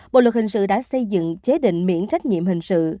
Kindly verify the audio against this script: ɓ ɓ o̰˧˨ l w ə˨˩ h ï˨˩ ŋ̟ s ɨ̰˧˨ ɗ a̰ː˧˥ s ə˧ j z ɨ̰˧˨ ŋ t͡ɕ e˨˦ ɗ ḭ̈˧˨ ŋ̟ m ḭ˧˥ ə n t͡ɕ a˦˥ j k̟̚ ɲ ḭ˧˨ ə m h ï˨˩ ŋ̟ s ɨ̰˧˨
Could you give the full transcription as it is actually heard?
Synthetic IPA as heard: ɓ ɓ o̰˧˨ l w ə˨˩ h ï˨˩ ŋ̟ s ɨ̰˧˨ ɗ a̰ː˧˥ s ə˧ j z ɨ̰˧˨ ŋ t͡ɕ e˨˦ ɗ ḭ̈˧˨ ŋ̟ m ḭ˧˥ ə n t͡ɕ a˦˥ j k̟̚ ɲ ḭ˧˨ ə m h ï˨˩ ŋ̟ s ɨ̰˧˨